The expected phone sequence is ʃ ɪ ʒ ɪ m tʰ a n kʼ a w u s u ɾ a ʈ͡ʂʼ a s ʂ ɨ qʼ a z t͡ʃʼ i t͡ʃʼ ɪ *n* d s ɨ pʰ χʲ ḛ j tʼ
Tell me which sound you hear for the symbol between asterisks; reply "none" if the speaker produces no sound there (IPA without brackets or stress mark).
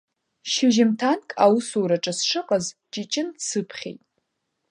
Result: n